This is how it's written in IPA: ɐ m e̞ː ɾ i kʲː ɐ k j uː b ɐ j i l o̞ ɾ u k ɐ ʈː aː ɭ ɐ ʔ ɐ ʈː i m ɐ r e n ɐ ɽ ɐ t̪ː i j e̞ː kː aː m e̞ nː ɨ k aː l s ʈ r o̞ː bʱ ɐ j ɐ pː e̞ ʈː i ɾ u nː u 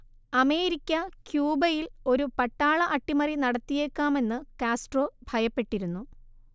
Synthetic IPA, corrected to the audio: ɐ m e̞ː ɾ i kʲː ɐ k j uː b ɐ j i l o̞ ɾ u p ɐ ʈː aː ɭ ɐ ʔ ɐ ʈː i m ɐ r i n ɐ ɽ ɐ t̪ː i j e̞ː kː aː m e̞ nː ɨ k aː s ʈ r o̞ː bʱ ɐ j ɐ pː e̞ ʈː i ɾ u nː u

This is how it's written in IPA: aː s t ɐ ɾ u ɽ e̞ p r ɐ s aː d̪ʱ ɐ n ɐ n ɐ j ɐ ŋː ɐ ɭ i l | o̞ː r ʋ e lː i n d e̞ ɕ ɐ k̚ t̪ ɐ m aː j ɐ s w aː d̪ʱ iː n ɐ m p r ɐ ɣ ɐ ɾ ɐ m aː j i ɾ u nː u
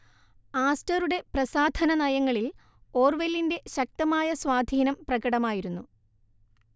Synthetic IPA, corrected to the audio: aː s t ɐ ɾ u ɽ e̞ p r ɐ s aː d̪ʱ ɐ n ɐ n ɐ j ɐ ŋː ɐ ɭ i l | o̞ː r ʋ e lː i n d e̞ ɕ ɐ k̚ t̪ ɐ m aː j ɐ s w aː d̪ʱ iː n ɐ m p r ɐ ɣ ɐ ɽ ɐ m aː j i ɾ u nː u

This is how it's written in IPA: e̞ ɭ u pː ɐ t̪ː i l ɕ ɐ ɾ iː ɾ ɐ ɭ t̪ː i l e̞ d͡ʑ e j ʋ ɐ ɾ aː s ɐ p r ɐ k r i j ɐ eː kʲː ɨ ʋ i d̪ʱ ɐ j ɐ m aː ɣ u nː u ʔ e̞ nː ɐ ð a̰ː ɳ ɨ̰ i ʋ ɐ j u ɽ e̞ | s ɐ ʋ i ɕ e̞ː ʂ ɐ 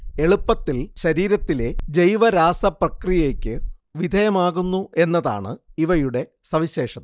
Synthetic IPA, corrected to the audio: e̞ ɭ u pː ɐ t̪ː i l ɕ ɐ ɾ iː ɾ ɐ t̪ː i l e̞ d͡ʑ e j ʋ ɐ ɾ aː s ɐ p r ɐ k r i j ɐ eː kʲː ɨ ʋ i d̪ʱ ɐ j ɐ m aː ɣ u nː u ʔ e̞ nː ɐ ð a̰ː ɳ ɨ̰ i ʋ ɐ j u ɽ e̞ | s ɐ ʋ i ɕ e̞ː ʂ ɐ

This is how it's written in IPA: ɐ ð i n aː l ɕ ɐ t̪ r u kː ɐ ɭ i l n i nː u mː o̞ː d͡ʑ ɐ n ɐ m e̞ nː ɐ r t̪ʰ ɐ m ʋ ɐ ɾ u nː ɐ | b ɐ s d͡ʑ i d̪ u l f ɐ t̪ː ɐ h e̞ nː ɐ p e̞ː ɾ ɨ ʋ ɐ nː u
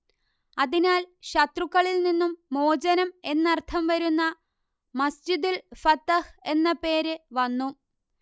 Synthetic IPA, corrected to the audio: ɐ ð i n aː l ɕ ɐ t̪ r u kː ɐ ɭ i l n i nː u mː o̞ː d͡ʑ ɐ n ɐ m e̞ nː ɐ r t̪ʰ ɐ m ʋ ɐ ɾ u nː ɐ | m ɐ s d͡ʑ i d̪ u l f ɐ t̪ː ɐ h e̞ nː ɐ p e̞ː ɾ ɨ ʋ ɐ nː u

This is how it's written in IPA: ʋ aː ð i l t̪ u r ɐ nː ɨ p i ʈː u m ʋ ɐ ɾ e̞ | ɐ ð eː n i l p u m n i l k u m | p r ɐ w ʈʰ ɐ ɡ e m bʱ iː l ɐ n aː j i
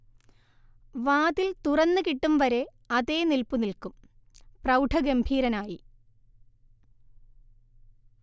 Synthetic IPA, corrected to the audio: ʋ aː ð i l t̪ u r ɐ nː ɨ k i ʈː u m ʋ ɐ ɾ e̞ | ɐ ð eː n i l p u n i l k u m | p r ɐ w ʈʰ ɐ ɡ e m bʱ iː ɾ ɐ n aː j i

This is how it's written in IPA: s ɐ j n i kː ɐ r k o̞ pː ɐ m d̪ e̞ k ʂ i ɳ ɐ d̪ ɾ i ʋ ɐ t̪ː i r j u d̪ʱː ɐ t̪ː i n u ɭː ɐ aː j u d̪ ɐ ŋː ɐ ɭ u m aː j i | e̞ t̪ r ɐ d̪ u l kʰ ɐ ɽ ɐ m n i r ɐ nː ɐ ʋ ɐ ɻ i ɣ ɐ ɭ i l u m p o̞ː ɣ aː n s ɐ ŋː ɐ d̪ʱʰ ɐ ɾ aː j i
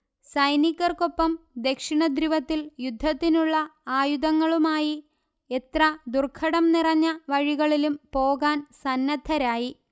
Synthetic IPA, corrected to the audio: s ɐ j n i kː ɐ r k o̞ pː ɐ m d̪ e̞ k ʂ i ɳ ɐ d̪ ɾ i ʋ ɐ t̪ː i l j u d̪ʱː ɐ t̪ː i n u ɭː ɐ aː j u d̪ ɐ ŋː ɐ ɭ u m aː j i | e̞ t̪ r ɐ d̪ u r kʰ ɐ ɽ ɐ m n i r ɐ ɲː ɐ ʋ ɐ ɻ i ɣ ɐ ɭ i l u m p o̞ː ɣ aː n s ɐ nː ɐ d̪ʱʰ ɐ ɾ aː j i

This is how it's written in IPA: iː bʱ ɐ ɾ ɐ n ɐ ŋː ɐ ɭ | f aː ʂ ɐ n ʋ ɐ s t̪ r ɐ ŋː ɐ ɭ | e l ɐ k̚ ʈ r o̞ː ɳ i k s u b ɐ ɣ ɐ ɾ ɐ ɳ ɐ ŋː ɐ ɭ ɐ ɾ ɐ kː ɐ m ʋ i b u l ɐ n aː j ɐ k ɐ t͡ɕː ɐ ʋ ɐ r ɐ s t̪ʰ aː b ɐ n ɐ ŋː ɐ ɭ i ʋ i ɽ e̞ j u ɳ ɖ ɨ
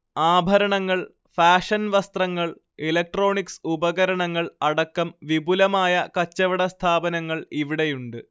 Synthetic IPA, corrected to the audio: aː bʱ ɐ ɾ ɐ ɳ ɐ ŋː ɐ ɭ | f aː ʂ ɐ n ʋ ɐ s t̪ r ɐ ŋː ɐ ɭ | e l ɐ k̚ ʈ r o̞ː ɳ i k s u b ɐ ɣ ɐ ɾ ɐ ɳ ɐ ŋː ɐ ɭ ɐ ɽ ɐ kː ɐ m ʋ i b u l ɐ m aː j ɐ k ɐ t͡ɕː ɐ ʋ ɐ ɽ ɐ s t̪ʰ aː b ɐ n ɐ ŋː ɐ ɭ i ʋ i ɽ e̞ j u ɳ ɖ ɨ

